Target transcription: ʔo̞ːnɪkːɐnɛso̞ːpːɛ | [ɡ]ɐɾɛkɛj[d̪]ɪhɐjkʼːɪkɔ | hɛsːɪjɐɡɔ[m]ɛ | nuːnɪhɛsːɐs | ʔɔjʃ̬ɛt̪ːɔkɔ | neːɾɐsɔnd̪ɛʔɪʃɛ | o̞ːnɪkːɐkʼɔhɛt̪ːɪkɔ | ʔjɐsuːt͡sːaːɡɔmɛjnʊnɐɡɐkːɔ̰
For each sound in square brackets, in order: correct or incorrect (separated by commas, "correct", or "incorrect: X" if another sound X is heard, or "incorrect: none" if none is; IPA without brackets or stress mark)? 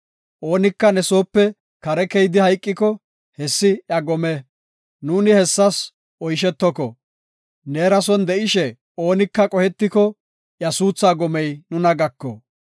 incorrect: k, correct, correct